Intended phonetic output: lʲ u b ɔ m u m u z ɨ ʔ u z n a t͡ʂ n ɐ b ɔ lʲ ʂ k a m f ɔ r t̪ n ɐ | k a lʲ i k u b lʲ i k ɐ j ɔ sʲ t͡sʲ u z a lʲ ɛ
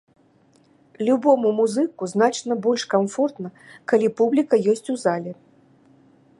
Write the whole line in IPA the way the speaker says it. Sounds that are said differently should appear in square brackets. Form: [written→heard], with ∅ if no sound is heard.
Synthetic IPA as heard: lʲ u b ɔ m u m u z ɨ [ʔ→k] u z n a t͡ʂ n ɐ b ɔ lʲ ʂ k a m f ɔ r t̪ n ɐ | k a lʲ i [k→p] u b lʲ i k ɐ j ɔ sʲ t͡sʲ u z a lʲ ɛ

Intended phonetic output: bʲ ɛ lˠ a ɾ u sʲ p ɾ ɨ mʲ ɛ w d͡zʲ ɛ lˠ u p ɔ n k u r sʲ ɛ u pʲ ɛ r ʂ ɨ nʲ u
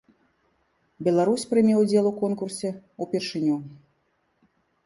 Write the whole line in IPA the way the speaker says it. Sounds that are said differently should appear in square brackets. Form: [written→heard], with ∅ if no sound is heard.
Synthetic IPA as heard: bʲ ɛ lˠ a ɾ u sʲ p ɾ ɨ mʲ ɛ w d͡zʲ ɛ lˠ u [p→k] ɔ n k u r sʲ ɛ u pʲ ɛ r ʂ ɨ nʲ u

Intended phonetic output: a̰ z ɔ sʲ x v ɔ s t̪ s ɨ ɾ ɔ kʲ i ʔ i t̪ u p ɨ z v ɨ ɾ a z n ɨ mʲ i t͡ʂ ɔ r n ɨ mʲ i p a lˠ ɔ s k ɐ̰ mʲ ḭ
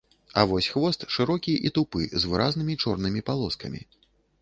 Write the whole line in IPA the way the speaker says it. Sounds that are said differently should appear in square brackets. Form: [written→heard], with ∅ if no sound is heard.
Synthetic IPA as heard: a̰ [z→v] ɔ sʲ x v ɔ s t̪ [s→ʂ] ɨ ɾ ɔ kʲ i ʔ i t̪ u p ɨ z v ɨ ɾ a z n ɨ mʲ i t͡ʂ ɔ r n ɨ mʲ i p a lˠ ɔ s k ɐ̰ mʲ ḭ

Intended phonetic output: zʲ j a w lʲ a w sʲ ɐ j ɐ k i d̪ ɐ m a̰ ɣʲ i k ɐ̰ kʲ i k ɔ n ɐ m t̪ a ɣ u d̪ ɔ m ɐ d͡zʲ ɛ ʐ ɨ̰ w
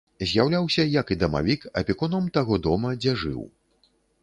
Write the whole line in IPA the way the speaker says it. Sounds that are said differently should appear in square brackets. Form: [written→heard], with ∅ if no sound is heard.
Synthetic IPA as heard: zʲ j a w lʲ a w sʲ ɐ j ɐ k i d̪ ɐ m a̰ [ɣʲ→vʲ] i k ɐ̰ [kʲ→pʲ] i k ɔ n ɐ m t̪ a ɣ [u→ɔ] d̪ ɔ m ɐ d͡zʲ ɛ ʐ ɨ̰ w

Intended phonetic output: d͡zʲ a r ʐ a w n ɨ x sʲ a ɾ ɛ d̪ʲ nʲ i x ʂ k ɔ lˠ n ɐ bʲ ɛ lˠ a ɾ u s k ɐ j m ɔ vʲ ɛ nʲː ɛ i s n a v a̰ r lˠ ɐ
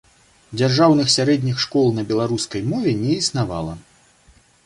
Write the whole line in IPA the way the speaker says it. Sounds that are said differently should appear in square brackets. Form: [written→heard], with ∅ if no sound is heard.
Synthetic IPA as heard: d͡zʲ a r ʐ a w n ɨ x sʲ a ɾ ɛ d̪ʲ nʲ i x ʂ k ɔ lˠ n ɐ bʲ ɛ lˠ a ɾ u s k ɐ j m ɔ vʲ ɛ [nʲː→nʲ] ɛ i s n a v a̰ [r→∅] lˠ ɐ

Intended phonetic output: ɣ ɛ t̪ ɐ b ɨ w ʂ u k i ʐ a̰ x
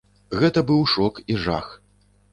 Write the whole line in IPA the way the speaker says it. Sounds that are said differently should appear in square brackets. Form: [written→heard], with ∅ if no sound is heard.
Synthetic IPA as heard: ɣ ɛ t̪ ɐ b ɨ w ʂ [u→ɔ] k i ʐ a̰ x

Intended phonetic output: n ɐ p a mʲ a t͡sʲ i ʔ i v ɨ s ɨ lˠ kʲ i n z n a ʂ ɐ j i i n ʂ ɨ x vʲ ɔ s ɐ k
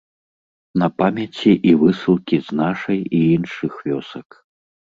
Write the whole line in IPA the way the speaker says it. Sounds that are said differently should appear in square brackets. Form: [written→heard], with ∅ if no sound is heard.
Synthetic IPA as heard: n ɐ p a mʲ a t͡sʲ i ʔ i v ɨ s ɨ lˠ kʲ i [n→∅] z n a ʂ ɐ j i i n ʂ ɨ x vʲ ɔ s ɐ k

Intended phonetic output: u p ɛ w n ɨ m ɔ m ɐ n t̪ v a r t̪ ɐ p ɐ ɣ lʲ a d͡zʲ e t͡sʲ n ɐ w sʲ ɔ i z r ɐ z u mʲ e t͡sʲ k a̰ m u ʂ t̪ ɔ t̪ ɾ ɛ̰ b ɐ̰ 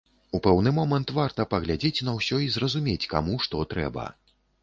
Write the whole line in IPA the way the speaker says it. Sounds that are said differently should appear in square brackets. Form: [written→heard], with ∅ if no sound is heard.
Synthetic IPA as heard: u p ɛ w n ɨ m ɔ m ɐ n t̪ v a r t̪ ɐ p ɐ ɣ lʲ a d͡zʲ e t͡sʲ n ɐ w sʲ ɔ i z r ɐ z u mʲ e t͡sʲ k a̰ m u ʂ t̪ ɔ t̪ ɾ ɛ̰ b ɐ̰

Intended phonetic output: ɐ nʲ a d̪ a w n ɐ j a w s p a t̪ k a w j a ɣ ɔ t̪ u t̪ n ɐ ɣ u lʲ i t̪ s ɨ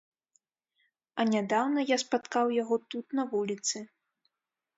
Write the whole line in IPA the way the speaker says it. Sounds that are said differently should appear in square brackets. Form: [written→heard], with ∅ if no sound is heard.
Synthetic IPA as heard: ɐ nʲ a d̪ a w n ɐ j a [w→∅] s p a t̪ k a w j a ɣ ɔ t̪ u t̪ n ɐ [ɣ→v] u lʲ i t̪ s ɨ

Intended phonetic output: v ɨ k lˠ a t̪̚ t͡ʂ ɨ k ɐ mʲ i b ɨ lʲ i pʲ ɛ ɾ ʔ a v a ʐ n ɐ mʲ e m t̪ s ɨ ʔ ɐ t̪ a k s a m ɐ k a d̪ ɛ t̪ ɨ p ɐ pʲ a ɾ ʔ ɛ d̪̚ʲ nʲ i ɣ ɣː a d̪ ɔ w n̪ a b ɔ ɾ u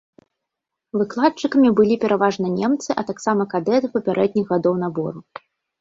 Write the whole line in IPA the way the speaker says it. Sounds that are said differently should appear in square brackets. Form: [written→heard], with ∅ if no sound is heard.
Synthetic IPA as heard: v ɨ k lˠ a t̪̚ t͡ʂ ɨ k ɐ mʲ i b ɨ lʲ i pʲ ɛ ɾ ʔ a v a ʐ n ɐ [mʲ→nʲ] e m t̪ s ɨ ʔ ɐ t̪ a k s a m ɐ k a d̪ ɛ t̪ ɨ p ɐ pʲ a ɾ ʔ ɛ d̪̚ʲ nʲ i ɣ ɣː a d̪ ɔ w n̪ a b ɔ ɾ u

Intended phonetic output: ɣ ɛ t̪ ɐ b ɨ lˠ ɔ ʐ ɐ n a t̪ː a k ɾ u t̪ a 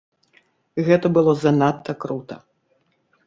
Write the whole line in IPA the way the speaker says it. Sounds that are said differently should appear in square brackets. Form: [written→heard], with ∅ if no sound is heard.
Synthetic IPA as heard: ɣ ɛ t̪ ɐ b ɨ lˠ ɔ [ʐ→z] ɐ n a t̪ː [a→ɐ] k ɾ u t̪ [a→ɐ]

